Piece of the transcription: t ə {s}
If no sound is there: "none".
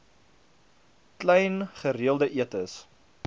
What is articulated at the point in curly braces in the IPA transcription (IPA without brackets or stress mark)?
s